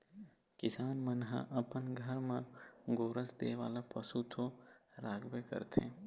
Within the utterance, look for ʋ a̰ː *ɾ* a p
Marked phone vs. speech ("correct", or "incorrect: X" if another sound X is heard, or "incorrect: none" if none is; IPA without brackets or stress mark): incorrect: l